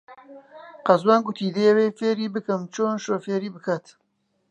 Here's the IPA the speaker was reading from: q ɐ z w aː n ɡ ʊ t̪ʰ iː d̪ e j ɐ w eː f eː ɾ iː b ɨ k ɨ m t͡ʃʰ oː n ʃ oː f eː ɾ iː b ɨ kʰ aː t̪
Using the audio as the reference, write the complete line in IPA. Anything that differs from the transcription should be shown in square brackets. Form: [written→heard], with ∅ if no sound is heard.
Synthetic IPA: q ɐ z w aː n ɡ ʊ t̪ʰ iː d̪ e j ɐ w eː f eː ɾ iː b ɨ k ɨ m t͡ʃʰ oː n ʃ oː f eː ɾ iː b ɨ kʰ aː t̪